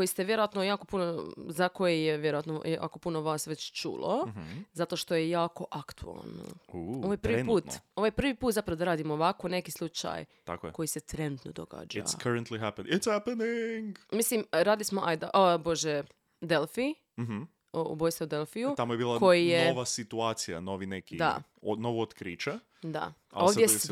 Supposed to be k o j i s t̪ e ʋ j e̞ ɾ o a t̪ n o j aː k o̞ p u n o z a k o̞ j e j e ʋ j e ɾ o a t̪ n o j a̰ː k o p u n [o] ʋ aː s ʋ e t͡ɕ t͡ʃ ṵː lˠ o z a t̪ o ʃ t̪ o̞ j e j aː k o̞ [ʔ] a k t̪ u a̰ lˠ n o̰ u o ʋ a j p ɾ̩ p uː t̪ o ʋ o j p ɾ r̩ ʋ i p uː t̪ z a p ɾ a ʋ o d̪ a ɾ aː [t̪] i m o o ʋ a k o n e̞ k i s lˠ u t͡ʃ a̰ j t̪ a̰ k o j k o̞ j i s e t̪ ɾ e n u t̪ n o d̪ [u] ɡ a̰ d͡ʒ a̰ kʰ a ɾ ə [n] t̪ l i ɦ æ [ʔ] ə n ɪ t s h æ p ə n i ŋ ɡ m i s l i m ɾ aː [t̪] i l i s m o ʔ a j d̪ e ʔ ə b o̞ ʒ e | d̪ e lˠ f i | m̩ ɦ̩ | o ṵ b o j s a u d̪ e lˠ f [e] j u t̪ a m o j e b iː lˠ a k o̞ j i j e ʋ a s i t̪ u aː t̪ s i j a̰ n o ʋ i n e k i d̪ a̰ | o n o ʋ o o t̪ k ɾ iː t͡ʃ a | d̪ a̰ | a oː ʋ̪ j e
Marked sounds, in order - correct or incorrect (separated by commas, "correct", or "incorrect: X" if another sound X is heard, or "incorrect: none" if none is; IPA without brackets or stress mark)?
correct, correct, incorrect: d̪, incorrect: o, correct, incorrect: p, incorrect: d̪, incorrect: i